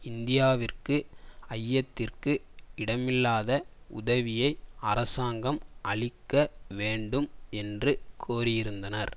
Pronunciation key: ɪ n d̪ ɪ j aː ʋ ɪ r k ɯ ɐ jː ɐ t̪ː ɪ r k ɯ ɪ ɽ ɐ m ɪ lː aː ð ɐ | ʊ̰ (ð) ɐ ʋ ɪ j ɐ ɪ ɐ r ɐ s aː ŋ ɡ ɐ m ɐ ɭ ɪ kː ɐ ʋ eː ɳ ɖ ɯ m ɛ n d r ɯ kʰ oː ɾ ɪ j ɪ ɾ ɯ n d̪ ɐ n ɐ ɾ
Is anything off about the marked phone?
no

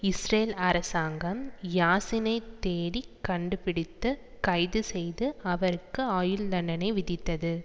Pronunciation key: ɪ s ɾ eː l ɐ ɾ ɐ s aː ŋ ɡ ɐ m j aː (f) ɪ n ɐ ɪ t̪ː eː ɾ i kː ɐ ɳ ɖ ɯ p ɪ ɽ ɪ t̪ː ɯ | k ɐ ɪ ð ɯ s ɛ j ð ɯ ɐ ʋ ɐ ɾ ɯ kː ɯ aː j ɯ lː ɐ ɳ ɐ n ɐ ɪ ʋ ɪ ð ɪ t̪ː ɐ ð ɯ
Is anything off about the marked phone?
yes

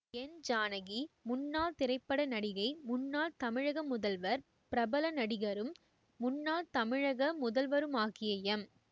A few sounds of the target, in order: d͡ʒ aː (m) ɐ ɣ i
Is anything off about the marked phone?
yes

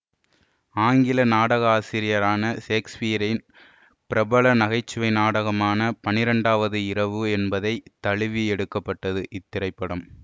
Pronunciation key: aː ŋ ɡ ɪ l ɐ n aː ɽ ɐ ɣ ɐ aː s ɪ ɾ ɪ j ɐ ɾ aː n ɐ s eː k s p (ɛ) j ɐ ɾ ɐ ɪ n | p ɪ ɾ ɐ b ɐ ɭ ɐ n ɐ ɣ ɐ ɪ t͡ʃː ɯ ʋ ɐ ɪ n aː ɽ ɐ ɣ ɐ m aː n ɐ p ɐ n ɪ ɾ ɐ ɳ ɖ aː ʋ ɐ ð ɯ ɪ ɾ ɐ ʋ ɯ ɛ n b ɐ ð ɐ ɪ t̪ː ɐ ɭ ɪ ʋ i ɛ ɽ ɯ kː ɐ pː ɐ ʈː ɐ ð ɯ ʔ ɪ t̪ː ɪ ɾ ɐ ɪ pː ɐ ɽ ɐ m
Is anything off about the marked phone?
yes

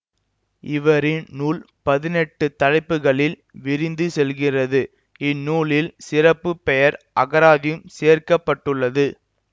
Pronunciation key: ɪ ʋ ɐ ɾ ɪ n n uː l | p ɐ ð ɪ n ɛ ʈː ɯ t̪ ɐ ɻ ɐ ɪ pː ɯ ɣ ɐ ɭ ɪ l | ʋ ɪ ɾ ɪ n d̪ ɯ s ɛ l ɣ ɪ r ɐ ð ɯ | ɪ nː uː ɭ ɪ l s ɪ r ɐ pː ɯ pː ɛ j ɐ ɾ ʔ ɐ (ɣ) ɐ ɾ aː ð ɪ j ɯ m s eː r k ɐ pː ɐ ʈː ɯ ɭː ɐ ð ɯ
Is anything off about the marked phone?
no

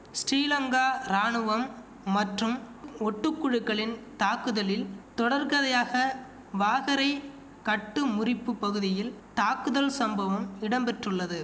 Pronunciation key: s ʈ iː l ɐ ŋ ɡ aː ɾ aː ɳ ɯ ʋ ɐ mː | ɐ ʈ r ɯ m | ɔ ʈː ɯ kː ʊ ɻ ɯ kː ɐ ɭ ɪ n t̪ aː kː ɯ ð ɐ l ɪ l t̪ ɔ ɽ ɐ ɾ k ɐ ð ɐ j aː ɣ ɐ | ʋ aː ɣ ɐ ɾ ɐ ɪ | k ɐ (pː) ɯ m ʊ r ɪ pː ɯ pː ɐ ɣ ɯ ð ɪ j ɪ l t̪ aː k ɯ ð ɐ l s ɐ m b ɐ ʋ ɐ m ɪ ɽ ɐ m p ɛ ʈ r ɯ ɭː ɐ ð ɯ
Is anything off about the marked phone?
yes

